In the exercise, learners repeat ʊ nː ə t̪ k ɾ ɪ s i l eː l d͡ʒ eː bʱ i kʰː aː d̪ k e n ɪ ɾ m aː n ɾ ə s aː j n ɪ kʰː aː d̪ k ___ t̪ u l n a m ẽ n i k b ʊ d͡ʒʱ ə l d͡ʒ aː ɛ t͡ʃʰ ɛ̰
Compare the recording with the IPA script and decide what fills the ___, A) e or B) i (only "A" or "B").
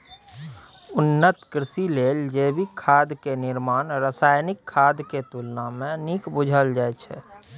A